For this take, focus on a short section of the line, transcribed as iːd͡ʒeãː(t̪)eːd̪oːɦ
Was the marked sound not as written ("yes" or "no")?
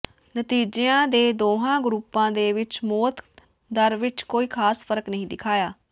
yes